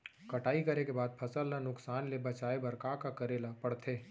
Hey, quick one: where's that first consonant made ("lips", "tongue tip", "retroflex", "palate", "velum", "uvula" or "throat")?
velum